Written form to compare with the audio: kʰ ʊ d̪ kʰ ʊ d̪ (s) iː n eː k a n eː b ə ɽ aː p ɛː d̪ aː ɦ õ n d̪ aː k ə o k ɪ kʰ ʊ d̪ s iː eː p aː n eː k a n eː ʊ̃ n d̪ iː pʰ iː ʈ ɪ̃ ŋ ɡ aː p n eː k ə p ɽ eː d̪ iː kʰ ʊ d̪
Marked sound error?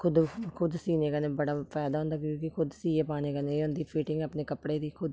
no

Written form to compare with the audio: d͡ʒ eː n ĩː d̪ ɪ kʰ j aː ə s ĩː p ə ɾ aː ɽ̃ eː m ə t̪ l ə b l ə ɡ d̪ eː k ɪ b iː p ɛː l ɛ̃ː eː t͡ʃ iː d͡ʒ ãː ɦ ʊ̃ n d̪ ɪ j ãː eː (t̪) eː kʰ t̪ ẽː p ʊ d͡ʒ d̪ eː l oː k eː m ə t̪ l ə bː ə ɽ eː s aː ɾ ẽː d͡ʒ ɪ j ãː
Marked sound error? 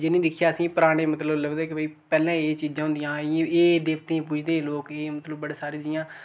yes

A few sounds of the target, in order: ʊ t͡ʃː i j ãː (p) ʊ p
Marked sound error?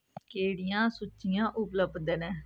yes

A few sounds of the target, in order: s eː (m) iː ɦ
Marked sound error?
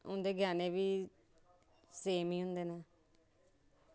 no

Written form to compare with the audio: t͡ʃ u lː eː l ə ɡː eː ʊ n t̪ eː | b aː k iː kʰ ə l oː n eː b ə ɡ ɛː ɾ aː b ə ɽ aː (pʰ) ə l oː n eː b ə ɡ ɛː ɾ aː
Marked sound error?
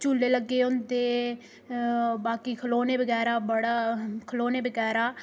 yes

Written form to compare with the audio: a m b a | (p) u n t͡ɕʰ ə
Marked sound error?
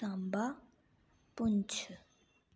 no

